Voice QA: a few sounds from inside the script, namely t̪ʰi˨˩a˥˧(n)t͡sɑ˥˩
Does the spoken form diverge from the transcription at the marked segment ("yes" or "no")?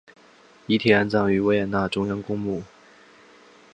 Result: no